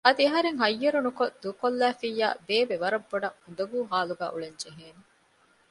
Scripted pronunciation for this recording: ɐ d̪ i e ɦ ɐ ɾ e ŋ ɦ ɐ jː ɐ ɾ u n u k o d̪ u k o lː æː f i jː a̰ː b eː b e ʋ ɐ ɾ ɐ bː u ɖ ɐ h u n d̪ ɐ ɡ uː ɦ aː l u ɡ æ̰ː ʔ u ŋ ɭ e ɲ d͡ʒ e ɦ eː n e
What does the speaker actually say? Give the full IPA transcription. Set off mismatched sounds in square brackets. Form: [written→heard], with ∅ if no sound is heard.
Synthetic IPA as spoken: ɐ d̪ i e ɦ ɐ ɾ e ŋ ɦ ɐ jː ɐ ɾ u n u k o d̪ u k o lː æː f i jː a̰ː b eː b e ʋ ɐ ɾ ɐ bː [u→o] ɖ ɐ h u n d̪ ɐ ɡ uː ɦ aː l u ɡ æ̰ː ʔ u [ŋ→∅] ɭ e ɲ d͡ʒ e ɦ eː n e